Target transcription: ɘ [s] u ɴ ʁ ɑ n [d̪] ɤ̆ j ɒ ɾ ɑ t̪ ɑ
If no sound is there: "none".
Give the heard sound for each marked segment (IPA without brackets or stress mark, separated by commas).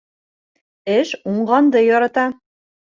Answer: ʃ, d̪